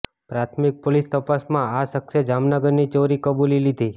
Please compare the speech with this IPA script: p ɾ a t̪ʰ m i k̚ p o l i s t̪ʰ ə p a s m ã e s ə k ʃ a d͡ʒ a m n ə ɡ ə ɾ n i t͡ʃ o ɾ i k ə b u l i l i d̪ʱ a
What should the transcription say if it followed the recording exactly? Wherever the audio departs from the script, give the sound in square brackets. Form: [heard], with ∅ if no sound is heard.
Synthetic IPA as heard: p ɾ a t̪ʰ m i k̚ p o l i s [t̪] ə p a s m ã [a] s ə k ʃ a d͡ʒ a m n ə ɡ ə ɾ n i t͡ʃ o ɾ i k ə b u l i l i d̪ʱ [i]